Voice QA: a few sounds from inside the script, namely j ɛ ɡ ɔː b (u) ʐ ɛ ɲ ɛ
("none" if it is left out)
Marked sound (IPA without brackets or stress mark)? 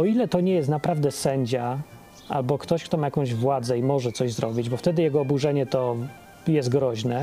u